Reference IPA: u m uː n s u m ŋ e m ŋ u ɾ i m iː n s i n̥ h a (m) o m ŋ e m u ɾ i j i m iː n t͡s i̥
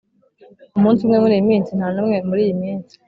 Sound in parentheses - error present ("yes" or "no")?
yes